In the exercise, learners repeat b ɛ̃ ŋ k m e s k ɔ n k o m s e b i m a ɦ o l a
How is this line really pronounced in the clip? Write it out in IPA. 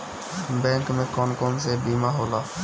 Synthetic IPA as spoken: b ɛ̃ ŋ k m e k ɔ n k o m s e b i m a ɦ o l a